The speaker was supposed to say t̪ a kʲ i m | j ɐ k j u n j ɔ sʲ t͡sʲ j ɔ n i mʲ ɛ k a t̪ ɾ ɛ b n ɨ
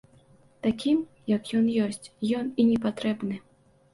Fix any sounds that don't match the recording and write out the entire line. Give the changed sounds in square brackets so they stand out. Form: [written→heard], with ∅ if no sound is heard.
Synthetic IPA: t̪ a kʲ i m | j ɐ k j [u→ɔ] n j ɔ sʲ t͡sʲ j ɔ n i [mʲ→nʲ] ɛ [k→p] a t̪ ɾ ɛ b n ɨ